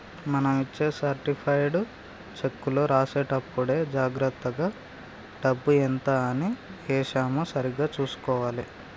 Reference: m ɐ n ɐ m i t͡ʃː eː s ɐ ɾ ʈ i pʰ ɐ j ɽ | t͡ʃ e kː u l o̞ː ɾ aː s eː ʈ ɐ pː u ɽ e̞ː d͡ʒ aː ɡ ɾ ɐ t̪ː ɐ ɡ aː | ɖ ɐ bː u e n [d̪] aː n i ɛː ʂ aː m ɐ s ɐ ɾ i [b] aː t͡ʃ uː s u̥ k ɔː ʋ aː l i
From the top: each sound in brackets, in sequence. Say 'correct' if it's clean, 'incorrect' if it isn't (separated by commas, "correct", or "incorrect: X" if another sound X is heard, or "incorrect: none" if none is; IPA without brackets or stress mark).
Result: incorrect: t̪, incorrect: ɡ